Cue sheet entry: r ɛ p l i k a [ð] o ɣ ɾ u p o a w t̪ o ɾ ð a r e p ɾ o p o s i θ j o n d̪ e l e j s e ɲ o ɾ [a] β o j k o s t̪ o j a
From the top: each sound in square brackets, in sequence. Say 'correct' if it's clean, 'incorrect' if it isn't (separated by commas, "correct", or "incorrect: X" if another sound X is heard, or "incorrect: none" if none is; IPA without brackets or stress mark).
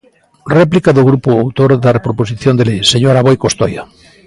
correct, correct